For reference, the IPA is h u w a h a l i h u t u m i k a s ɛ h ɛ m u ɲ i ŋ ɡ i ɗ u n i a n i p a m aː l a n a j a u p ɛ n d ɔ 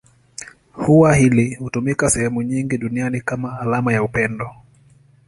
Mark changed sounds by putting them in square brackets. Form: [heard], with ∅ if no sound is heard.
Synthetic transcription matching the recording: h u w a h [i] l i h u t u m i k a s ɛ h ɛ m u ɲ i ŋ ɡ i ɗ u n i a n i [k] a m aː l a [m] a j a u p ɛ n d ɔ